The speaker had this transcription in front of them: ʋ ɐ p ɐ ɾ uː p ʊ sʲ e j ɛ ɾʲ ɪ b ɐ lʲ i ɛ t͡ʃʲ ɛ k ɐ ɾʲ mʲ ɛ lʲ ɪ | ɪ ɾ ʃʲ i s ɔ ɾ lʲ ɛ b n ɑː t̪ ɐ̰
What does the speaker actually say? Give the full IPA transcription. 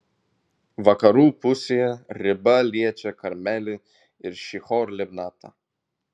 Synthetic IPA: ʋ ɐ k ɐ ɾ uː p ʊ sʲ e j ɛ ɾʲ ɪ b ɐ lʲ i ɛ t͡ʃʲ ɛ k ɐ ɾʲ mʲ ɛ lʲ ɪ | ɪ ɾ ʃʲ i x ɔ ɾ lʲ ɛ b n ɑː t̪ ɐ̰